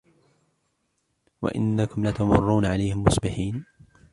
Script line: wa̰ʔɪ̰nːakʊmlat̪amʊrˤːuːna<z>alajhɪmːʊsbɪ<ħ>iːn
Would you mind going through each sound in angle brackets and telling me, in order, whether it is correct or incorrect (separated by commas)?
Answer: incorrect, correct